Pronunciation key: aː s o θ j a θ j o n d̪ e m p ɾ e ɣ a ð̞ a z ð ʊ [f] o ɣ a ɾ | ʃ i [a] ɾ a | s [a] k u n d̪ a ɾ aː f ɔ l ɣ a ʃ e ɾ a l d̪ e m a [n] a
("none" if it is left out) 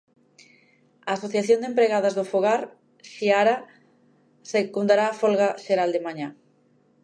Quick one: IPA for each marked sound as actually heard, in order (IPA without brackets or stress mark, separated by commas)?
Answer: f, a, e, ɲ